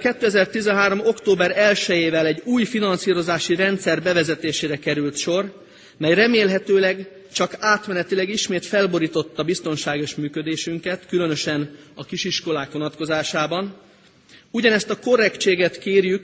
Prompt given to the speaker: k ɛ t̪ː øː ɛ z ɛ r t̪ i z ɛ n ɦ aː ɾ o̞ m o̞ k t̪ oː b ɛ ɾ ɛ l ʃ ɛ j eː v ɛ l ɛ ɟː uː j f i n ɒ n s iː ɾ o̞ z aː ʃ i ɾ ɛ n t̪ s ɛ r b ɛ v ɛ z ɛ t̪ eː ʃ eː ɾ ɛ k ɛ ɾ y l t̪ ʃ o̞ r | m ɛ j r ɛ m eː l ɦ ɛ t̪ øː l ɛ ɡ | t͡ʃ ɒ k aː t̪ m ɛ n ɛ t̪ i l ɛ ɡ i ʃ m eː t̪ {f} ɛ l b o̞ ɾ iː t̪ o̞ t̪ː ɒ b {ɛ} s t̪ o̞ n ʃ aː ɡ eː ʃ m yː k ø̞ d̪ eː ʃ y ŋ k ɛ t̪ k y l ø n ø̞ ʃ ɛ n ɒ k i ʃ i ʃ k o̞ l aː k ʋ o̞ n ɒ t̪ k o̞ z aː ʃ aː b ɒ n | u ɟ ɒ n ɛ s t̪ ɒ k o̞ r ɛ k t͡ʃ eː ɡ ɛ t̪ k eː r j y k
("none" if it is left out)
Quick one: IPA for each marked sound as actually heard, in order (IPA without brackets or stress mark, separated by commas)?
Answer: f, i